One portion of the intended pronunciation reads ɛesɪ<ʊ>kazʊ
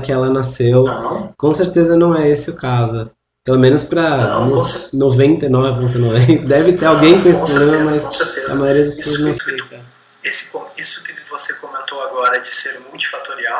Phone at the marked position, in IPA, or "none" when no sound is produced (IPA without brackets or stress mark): ʊ